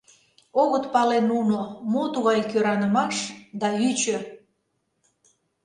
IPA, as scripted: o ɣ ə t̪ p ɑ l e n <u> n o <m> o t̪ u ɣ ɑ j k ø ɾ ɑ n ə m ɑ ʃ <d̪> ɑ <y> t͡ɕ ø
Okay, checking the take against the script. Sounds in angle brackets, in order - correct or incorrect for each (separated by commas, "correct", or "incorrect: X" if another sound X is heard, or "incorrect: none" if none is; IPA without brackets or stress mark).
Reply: correct, correct, correct, correct